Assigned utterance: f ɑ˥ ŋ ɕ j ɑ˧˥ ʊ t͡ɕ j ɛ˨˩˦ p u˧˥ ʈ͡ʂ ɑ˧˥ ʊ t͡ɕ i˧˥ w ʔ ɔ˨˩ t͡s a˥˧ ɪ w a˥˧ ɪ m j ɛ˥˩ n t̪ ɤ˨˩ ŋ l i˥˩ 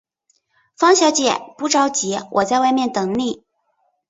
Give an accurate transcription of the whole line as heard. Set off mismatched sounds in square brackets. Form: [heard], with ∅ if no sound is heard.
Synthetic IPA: f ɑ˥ ŋ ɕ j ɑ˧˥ ʊ t͡ɕ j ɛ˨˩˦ p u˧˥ ʈ͡ʂ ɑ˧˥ ʊ t͡ɕ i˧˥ w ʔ ɔ˨˩ t͡s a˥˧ ɪ w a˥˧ ɪ m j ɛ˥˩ n t̪ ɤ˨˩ ŋ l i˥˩

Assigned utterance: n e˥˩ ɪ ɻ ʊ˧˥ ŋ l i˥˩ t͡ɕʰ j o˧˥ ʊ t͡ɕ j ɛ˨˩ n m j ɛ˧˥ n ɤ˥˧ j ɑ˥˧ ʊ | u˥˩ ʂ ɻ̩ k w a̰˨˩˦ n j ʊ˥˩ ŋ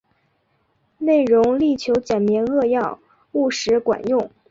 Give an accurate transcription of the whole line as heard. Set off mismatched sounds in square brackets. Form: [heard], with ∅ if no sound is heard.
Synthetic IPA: n e˥˩ ɪ ɻ ʊ˧˥ ŋ l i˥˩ t͡ɕʰ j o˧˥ ʊ t͡ɕ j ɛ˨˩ n m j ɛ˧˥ n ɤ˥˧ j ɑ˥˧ ʊ | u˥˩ ʂ ɻ̩ k w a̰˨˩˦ n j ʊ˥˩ ŋ

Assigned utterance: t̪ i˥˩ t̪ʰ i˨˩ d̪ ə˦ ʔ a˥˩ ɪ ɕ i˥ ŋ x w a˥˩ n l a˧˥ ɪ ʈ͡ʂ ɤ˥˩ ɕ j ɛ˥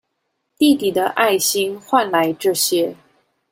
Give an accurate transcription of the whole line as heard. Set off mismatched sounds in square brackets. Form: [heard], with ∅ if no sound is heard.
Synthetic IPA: t̪ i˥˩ [t̪] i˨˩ d̪ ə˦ ʔ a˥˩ ɪ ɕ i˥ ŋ x w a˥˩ n l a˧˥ ɪ ʈ͡ʂ ɤ˥˩ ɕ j ɛ˥

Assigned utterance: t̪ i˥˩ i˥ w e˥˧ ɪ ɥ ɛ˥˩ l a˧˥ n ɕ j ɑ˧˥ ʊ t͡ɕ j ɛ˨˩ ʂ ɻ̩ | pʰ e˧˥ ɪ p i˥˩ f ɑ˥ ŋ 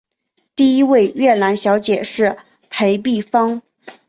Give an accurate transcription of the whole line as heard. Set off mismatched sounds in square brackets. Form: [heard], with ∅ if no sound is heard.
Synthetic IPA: t̪ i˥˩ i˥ w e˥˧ ɪ ɥ ɛ˥˩ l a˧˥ n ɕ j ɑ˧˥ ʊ t͡ɕ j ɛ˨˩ ʂ ɻ̩ | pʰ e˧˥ ɪ p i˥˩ f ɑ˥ ŋ

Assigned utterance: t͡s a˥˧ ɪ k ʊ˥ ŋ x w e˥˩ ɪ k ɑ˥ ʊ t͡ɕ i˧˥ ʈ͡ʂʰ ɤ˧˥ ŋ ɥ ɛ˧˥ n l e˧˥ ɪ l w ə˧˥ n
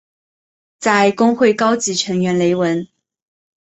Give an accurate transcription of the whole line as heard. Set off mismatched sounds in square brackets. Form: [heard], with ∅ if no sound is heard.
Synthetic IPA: t͡s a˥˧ ɪ k ʊ˥ ŋ x w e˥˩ ɪ k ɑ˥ ʊ t͡ɕ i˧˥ ʈ͡ʂʰ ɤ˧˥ ŋ ɥ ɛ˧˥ n l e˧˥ ɪ [∅] w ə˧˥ n

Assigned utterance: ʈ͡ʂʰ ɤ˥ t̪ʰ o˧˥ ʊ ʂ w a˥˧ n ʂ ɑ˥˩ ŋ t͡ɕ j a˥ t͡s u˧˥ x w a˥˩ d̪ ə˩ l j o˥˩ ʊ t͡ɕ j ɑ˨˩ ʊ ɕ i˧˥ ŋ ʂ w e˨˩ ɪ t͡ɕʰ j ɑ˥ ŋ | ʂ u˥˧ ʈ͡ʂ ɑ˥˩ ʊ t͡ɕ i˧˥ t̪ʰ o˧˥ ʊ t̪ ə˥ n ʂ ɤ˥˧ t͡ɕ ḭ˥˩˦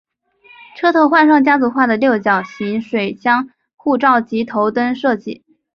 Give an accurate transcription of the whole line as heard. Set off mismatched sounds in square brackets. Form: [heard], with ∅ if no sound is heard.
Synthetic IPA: ʈ͡ʂʰ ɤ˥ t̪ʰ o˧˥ ʊ [x] w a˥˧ n ʂ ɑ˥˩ ŋ t͡ɕ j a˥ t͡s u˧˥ x w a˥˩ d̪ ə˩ l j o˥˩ ʊ t͡ɕ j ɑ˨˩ ʊ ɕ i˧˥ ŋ ʂ w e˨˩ ɪ [t͡ɕ] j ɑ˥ ŋ | [x] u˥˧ ʈ͡ʂ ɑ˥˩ ʊ t͡ɕ i˧˥ t̪ʰ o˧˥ ʊ t̪ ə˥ n ʂ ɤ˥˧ t͡ɕ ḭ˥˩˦

